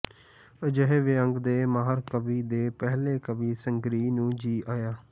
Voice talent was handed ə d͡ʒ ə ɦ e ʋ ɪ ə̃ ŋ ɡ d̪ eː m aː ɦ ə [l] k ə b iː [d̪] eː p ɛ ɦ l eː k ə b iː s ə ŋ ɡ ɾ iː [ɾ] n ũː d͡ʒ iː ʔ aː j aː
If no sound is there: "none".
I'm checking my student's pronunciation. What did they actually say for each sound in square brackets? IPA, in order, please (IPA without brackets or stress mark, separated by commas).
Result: ɾ, d̪, none